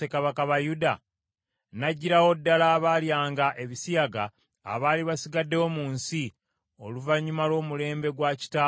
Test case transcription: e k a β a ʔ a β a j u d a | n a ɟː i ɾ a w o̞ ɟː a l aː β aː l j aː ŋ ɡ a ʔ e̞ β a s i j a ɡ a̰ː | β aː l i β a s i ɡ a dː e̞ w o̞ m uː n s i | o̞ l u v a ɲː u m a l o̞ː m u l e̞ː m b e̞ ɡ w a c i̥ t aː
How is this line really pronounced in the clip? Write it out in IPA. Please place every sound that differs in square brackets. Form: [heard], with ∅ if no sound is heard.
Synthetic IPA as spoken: e k a β a [k] a β a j u d a | n a ɟː i ɾ a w o̞ [dː] a l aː β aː l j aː ŋ ɡ a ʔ e̞ β [i] s i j a ɡ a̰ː | β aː l i β a s i ɡ a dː e̞ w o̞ m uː n s i | o̞ l u v a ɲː u m a l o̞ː m u l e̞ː m b e̞ ɡ w a c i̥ t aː